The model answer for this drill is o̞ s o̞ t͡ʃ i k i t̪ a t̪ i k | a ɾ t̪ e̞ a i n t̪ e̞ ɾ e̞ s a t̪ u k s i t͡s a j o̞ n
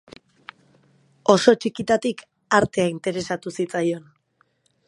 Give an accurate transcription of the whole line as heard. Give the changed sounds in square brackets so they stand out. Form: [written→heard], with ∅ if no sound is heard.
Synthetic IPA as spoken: o̞ s o̞ t͡ʃ i k i t̪ a t̪ i k | a ɾ t̪ e̞ a i n t̪ e̞ ɾ e̞ s a t̪ u [k→∅] s i t͡s a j o̞ n